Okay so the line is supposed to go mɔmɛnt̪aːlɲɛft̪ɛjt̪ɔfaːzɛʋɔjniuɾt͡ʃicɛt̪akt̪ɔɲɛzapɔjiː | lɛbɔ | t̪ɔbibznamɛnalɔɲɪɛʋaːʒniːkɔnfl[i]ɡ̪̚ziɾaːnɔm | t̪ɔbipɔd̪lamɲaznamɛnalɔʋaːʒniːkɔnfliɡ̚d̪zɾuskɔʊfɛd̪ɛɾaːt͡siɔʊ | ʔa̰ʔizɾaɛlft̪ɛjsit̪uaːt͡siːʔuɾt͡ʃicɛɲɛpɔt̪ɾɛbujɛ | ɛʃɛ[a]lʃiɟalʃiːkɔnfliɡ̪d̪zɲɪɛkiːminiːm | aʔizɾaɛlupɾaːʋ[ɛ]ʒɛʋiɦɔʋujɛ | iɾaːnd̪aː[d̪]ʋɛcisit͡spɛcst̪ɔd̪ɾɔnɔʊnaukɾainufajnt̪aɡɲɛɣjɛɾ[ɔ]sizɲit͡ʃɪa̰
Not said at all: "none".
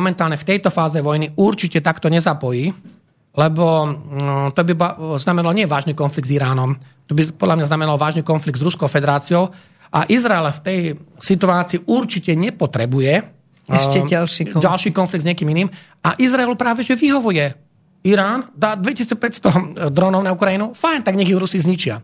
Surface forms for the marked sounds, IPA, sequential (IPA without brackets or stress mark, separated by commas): i, a, ɛ, d̪, u